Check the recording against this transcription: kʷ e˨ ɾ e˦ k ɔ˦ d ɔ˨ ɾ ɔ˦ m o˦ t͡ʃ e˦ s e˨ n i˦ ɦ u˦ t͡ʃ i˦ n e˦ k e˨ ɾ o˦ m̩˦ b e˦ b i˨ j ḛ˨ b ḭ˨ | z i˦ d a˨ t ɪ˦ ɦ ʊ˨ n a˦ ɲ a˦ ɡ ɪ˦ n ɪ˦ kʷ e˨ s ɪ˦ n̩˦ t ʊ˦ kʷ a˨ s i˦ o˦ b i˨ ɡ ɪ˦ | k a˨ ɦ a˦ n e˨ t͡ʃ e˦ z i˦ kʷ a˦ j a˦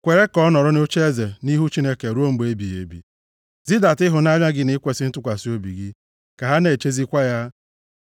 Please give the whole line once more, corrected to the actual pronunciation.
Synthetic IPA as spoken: kʷ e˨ ɾ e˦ k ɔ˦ n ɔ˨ ɾ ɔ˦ n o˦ t͡ʃ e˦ z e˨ n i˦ ɦ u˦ t͡ʃ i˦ n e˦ k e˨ ɾ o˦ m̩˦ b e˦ b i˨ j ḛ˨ b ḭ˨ | z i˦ d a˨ t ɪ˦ ɦ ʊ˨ n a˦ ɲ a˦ ɡ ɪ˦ n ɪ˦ kʷ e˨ s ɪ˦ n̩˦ t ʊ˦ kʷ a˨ s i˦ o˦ b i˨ ɡ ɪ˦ | k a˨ ɦ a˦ n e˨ t͡ʃ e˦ z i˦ kʷ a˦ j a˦